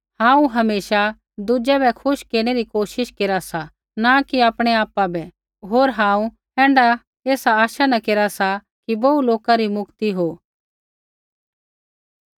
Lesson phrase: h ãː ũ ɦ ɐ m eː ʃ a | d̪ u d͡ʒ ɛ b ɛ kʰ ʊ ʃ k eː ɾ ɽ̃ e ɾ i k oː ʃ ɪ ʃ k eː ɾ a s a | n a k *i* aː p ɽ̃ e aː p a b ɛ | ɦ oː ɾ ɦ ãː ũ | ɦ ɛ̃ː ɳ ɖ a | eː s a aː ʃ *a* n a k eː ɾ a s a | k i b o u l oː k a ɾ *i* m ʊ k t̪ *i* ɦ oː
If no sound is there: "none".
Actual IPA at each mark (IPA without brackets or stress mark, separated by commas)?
i, a, i, i